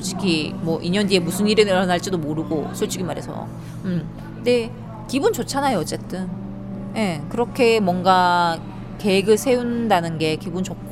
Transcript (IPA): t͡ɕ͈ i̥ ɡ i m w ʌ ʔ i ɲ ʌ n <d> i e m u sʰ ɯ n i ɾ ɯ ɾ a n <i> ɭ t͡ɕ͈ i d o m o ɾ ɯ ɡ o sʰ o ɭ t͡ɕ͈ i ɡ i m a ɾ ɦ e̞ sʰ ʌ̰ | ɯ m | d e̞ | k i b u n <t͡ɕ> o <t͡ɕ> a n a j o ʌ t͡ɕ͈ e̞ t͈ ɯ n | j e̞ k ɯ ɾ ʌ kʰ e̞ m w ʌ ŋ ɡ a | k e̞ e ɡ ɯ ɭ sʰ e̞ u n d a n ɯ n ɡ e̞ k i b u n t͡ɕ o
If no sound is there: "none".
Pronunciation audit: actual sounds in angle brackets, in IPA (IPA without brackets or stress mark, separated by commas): d, a, t͡ɕ, t͡ɕʰ